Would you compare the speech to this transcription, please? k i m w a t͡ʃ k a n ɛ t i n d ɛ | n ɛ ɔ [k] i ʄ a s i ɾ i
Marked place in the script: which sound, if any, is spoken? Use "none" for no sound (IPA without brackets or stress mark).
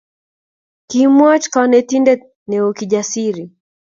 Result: k